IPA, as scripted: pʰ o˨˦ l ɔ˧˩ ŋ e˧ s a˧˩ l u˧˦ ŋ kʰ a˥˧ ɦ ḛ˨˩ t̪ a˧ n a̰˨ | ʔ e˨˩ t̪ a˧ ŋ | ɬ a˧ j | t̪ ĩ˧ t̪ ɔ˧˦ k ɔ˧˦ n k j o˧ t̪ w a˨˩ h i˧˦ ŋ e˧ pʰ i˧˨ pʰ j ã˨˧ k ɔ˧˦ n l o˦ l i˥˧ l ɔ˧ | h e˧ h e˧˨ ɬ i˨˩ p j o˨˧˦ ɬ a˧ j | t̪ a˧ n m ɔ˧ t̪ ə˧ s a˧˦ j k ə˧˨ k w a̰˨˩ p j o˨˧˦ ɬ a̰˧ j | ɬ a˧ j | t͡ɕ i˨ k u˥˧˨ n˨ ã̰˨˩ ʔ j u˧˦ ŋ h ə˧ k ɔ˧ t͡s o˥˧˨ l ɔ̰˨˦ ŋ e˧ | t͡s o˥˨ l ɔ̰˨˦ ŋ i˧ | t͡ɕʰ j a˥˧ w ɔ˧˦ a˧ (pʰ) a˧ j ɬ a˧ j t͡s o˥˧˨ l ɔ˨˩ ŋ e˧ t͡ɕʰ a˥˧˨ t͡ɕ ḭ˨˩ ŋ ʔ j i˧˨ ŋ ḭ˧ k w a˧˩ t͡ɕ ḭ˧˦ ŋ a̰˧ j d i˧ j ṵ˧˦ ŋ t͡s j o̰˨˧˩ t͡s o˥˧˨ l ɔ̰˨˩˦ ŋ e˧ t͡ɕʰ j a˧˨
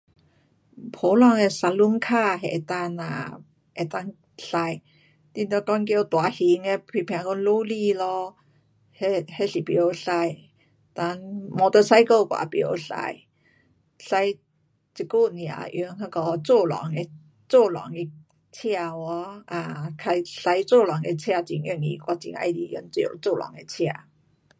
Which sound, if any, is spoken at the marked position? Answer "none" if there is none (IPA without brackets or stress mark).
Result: kʰ